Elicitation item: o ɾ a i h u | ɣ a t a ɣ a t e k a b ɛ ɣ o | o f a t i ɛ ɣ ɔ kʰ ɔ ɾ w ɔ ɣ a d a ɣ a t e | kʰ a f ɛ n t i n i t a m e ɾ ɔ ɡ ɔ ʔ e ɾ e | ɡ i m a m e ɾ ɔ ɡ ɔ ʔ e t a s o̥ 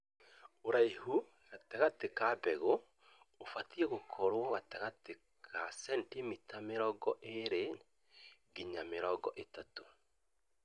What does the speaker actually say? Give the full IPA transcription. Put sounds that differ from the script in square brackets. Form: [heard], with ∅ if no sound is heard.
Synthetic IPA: o ɾ a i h u | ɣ a t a ɣ a t e k a b ɛ ɣ o | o f a t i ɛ ɣ [o] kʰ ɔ ɾ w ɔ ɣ a [t] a ɣ a t e | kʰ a [s] ɛ n t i [m] i t a m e ɾ ɔ ɡ ɔ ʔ e ɾ e | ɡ i [ɲ] a m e ɾ ɔ ɡ ɔ ʔ e t a [t] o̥